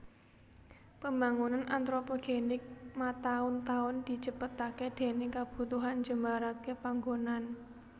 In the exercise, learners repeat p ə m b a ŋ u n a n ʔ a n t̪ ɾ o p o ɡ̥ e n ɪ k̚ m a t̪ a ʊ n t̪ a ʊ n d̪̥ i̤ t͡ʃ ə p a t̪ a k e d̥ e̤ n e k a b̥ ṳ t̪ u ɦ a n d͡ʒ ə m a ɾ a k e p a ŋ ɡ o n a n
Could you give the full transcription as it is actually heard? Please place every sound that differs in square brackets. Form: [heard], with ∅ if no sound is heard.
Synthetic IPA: p ə m b a ŋ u n a n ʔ a n t̪ ɾ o p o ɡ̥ e n ɪ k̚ m a t̪ a ʊ n t̪ a ʊ n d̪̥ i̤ t͡ʃ ə p [ə] t̪ a k e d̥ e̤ n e k a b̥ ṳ t̪ u ɦ a n d͡ʒ ə m a ɾ a k e p a ŋ ɡ o n a n